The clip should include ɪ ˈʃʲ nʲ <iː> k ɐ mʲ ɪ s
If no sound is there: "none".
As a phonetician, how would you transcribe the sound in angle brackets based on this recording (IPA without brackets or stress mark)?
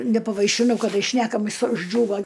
æː